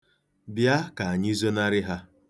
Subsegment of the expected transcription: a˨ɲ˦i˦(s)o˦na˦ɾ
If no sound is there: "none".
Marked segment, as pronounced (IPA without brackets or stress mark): z